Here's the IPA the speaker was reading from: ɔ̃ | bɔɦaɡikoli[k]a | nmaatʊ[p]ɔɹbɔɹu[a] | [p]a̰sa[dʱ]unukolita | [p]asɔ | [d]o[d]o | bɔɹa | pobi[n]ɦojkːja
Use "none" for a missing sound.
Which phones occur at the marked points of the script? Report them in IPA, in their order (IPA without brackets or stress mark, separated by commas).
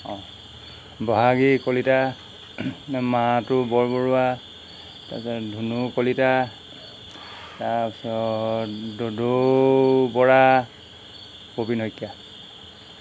t, b, a, t, dʱ, t, d, d, n